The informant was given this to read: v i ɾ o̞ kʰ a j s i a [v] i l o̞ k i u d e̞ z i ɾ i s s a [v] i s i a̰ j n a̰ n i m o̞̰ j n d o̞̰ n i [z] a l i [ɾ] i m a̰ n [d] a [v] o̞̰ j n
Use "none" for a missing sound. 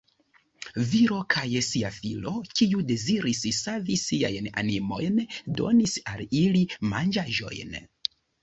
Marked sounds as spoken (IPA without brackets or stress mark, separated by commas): f, v, s, l, d͡ʒ, ʒ